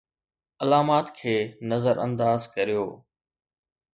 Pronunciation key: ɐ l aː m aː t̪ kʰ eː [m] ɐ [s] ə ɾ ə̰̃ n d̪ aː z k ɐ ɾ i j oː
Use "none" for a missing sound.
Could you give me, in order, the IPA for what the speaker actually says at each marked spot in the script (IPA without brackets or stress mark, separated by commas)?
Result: n, z